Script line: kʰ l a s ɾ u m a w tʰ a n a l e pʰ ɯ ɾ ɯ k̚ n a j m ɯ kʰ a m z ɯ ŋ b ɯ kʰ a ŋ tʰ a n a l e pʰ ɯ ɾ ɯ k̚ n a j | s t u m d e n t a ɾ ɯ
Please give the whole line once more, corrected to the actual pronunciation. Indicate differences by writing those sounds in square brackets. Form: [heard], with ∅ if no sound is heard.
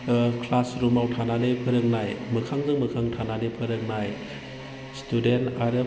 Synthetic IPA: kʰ l a s ɾ u m a w tʰ a n a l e pʰ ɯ ɾ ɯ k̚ n a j m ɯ kʰ a [ŋ] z ɯ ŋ [m] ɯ kʰ a ŋ tʰ a n a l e pʰ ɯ ɾ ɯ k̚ n a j | s t u [∅] d e n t a ɾ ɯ

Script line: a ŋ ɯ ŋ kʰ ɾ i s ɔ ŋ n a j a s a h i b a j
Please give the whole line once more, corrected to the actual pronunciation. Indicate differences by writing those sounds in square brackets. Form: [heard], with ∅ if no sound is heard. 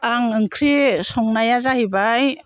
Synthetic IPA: a ŋ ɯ ŋ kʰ ɾ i s ɔ ŋ n a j a [z] a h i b a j

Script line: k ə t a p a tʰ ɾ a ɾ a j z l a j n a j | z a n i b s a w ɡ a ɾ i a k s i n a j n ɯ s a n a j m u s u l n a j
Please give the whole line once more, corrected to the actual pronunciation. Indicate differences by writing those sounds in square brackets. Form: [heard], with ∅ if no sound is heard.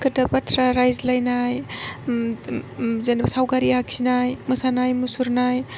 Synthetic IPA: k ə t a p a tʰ ɾ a ɾ a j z l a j n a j | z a n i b s a w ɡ a ɾ i a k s i n a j [m] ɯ s a n a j m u s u [ɾ] n a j

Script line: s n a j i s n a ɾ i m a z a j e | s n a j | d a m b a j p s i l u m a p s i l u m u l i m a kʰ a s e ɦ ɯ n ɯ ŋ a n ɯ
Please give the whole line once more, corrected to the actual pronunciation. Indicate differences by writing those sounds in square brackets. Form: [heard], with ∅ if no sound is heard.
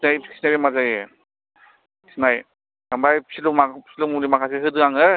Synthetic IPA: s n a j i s n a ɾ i m a z a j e | s n a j | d a m b a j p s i l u m a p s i l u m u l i m a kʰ a s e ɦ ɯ [d] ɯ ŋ a [ŋ] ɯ

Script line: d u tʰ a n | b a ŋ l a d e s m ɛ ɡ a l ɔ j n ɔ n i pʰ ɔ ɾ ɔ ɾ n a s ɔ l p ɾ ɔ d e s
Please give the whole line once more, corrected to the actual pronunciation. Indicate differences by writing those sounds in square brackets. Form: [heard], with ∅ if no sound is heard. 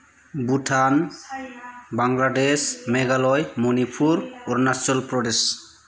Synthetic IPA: [b] u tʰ a n | b a ŋ l a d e s m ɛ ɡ a l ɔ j [m] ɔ n i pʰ [u] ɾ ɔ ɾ n a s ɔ l p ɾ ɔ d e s

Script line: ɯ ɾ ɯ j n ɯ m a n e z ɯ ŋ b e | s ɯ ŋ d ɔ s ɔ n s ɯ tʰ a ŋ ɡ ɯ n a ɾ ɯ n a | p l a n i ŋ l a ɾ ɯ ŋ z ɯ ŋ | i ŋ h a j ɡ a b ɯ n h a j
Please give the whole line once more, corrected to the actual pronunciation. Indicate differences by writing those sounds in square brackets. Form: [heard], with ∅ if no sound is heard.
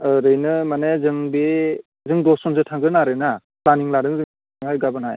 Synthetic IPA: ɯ ɾ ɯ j n ɯ m a n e z ɯ ŋ b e | [z] ɯ ŋ d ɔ s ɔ n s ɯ tʰ a ŋ ɡ ɯ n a ɾ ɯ n a | p l a n i ŋ l a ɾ ɯ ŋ z ɯ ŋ | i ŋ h a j ɡ a b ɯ n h a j

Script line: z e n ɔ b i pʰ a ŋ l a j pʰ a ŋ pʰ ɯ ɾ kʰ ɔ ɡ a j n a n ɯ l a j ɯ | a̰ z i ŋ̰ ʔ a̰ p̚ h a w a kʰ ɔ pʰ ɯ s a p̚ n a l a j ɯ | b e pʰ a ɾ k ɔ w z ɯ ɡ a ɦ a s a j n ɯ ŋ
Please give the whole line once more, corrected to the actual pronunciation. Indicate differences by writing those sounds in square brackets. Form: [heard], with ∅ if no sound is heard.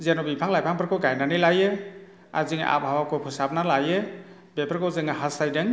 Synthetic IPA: z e n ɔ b i pʰ a ŋ l a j pʰ a ŋ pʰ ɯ ɾ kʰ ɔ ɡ a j n a n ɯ l a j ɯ | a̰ z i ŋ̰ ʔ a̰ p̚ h a w a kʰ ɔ pʰ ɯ s a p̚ n a l a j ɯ | b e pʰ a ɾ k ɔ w z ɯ [ŋ] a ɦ a s a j [d] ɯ ŋ

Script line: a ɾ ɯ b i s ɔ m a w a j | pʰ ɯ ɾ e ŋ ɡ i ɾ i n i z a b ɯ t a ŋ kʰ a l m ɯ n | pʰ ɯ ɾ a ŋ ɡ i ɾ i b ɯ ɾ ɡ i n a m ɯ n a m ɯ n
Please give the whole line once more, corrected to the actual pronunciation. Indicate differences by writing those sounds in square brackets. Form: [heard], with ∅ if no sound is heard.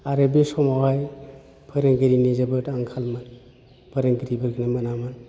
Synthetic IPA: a ɾ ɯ b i s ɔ m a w a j | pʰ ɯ ɾ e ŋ ɡ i ɾ i n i z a b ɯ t a ŋ kʰ a l m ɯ n | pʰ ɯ ɾ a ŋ ɡ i ɾ i b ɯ ɾ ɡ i n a m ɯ n a m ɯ n

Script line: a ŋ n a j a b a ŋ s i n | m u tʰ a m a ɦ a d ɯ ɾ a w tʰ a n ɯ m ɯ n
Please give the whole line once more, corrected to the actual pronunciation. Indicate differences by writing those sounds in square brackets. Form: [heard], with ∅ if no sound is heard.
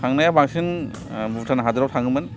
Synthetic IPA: a ŋ n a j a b a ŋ s i n | [b] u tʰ a [n] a ɦ a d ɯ ɾ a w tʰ a [ŋ] ɯ m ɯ n

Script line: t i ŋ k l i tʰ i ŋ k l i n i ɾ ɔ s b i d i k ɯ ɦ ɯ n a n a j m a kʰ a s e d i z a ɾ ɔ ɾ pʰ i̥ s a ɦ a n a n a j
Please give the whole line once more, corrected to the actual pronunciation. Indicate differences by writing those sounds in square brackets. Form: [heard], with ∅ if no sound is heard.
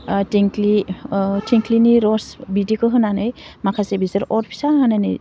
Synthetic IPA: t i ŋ k l i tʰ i ŋ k l i n i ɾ ɔ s b i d i k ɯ ɦ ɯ n a n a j m a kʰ a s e [b] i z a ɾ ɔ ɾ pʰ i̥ s a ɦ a n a n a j

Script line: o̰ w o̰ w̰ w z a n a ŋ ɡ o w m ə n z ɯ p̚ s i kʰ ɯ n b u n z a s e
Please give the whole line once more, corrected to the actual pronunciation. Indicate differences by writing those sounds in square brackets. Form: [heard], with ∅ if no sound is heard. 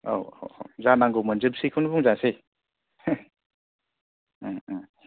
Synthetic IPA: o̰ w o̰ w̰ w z a n a ŋ ɡ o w m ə n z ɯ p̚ s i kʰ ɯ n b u [ŋ] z a s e

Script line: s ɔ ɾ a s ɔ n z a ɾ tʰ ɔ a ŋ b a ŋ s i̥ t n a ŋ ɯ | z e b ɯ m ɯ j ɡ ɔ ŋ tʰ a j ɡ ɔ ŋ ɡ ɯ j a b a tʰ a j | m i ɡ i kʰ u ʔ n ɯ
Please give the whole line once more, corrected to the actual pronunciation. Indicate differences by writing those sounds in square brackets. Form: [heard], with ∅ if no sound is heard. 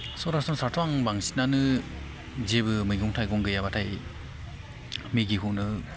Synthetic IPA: s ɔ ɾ a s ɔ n [s] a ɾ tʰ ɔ a ŋ b a ŋ s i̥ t n a [n] ɯ | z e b ɯ m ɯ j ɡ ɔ ŋ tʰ a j ɡ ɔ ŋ ɡ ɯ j a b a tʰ a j | m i ɡ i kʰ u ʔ n ɯ

